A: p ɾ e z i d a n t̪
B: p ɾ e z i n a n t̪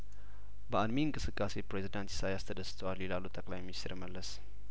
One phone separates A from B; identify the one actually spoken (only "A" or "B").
A